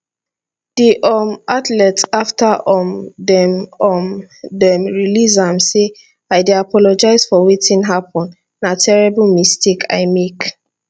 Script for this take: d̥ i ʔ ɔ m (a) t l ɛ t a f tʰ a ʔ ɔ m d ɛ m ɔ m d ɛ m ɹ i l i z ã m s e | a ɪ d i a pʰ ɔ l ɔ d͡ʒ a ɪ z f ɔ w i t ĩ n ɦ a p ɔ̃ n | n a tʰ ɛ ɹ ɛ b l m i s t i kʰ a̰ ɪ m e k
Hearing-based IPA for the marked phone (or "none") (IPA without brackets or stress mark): a